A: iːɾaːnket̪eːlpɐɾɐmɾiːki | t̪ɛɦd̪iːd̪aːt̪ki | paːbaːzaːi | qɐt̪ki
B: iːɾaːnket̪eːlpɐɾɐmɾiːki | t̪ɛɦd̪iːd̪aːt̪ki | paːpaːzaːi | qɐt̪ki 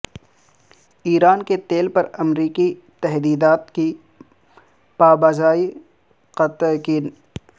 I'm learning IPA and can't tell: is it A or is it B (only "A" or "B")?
A